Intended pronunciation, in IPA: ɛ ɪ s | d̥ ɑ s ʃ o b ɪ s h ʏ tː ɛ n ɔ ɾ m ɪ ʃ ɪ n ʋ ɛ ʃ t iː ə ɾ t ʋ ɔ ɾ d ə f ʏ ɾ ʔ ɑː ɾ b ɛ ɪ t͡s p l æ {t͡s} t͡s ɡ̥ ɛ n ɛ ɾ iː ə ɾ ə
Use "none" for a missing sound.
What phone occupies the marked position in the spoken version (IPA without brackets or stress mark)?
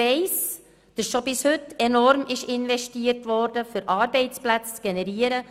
t͡s